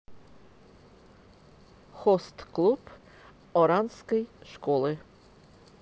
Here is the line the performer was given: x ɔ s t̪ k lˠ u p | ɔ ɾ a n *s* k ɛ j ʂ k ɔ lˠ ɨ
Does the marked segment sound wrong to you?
no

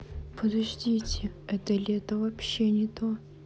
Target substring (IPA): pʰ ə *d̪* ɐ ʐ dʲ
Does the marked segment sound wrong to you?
no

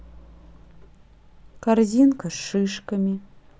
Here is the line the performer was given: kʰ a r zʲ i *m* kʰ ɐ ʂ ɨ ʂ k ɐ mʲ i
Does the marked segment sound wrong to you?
yes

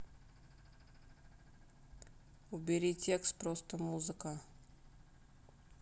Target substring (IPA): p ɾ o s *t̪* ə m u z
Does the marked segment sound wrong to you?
no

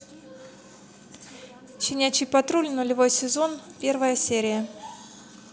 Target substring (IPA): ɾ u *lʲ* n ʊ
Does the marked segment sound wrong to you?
no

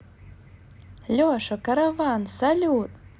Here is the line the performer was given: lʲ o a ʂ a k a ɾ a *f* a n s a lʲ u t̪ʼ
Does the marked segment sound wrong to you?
yes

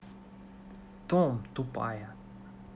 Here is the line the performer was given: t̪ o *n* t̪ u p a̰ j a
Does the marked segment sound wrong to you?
yes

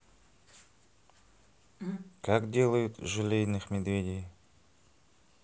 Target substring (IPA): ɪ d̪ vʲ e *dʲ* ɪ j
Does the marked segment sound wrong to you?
no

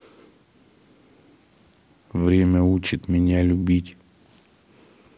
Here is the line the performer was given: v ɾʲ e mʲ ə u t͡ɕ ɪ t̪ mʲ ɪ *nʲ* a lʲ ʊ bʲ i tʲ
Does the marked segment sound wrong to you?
no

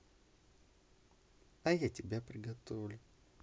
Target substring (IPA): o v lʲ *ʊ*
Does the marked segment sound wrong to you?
no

